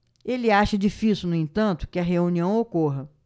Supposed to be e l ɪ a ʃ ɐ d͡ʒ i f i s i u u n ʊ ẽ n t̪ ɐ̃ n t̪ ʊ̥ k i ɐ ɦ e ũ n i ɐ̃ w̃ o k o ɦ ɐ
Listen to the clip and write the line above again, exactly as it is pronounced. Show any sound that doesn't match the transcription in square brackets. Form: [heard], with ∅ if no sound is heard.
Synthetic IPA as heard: e l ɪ a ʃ ɐ d͡ʒ i f i s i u [w] n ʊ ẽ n t̪ ɐ̃ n t̪ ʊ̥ k [ɪ] ɐ ɦ e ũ n i ɐ̃ w̃ o k o ɦ ɐ